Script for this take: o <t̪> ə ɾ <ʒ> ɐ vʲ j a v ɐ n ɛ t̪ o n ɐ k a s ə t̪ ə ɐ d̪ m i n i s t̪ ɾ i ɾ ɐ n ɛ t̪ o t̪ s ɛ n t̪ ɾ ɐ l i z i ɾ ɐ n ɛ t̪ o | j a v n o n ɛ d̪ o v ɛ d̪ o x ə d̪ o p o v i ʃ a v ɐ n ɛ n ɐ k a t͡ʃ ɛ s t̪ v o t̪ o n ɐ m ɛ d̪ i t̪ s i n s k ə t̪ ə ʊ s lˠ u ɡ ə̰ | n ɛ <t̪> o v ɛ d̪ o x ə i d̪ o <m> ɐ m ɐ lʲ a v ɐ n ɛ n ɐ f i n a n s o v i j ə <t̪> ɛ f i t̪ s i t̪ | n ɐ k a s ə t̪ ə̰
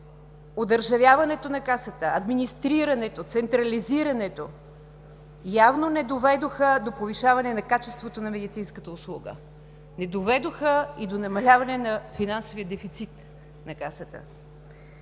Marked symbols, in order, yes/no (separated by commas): no, yes, no, no, no